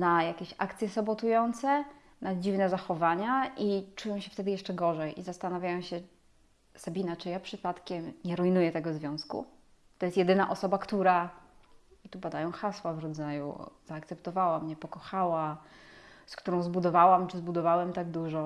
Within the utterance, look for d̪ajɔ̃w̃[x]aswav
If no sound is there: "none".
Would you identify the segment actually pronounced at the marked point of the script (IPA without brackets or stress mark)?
x